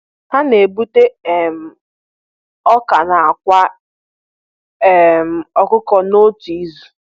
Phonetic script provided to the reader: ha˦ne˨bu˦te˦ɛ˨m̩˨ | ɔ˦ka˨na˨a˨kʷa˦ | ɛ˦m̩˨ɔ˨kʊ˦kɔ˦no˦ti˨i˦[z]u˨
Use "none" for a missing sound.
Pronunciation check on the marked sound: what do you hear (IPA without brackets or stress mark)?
z